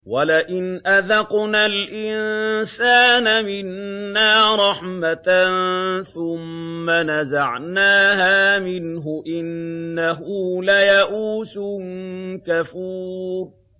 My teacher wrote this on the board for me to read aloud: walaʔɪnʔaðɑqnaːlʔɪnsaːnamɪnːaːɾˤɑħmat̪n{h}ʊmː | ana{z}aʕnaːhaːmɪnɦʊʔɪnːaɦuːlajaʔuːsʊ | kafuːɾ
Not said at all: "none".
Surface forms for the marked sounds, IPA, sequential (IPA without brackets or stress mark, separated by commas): θ, z